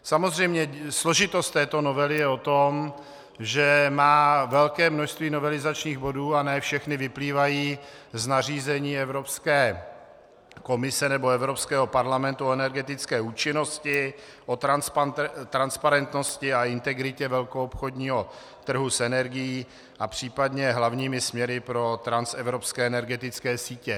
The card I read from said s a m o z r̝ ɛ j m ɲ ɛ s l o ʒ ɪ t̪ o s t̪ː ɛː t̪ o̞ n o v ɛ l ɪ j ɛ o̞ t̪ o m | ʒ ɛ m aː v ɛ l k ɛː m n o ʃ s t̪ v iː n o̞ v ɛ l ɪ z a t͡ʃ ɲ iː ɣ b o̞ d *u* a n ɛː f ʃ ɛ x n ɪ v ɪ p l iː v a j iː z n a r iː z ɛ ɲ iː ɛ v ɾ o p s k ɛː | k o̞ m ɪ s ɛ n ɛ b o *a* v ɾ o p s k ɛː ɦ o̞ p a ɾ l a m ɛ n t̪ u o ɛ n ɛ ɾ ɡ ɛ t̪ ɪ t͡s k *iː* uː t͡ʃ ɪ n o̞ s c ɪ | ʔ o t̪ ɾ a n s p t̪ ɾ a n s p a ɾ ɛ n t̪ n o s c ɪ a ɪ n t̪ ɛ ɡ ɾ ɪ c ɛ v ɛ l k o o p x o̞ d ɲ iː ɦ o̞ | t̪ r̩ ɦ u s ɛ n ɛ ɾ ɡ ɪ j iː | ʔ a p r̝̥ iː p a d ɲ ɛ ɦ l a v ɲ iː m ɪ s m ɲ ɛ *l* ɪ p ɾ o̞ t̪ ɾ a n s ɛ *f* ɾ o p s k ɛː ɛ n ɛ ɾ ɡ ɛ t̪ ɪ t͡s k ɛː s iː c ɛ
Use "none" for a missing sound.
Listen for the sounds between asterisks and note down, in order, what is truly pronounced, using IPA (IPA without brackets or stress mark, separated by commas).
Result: uː, ɛ, ɛː, ɾ, v